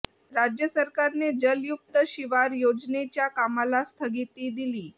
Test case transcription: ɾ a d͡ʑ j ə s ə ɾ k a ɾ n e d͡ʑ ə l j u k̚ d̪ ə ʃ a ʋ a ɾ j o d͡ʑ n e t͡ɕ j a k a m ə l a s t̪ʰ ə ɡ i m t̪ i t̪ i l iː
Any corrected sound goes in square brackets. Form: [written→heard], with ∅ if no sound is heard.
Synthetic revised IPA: ɾ a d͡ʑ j ə s ə ɾ k a ɾ n e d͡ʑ ə l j u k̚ [d̪→t̪] ə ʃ [a→i] ʋ a ɾ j o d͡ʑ n e t͡ɕ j a k a m [ə→a] l a s t̪ʰ ə ɡ i [m→∅] t̪ i [t̪→d̪] i l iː